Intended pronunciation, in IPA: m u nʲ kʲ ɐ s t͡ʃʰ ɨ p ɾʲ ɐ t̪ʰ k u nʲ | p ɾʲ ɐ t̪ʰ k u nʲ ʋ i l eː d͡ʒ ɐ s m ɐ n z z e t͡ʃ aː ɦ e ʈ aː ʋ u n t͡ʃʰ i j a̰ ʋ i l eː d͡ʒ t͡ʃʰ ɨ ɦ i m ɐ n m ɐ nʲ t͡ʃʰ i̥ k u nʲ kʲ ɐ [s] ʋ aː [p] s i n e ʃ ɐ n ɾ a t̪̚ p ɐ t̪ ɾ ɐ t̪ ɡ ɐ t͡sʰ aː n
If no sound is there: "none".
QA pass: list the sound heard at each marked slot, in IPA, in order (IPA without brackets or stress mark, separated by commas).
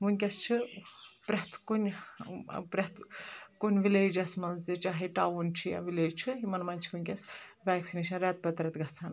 s, k